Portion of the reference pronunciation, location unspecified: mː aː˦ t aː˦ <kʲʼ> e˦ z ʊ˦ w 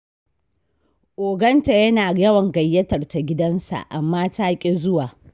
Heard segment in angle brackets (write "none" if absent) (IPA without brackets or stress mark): kʲʼ